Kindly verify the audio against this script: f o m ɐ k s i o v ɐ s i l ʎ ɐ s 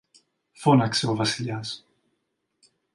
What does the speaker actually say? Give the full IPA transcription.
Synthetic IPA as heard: f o n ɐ k s e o v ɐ s i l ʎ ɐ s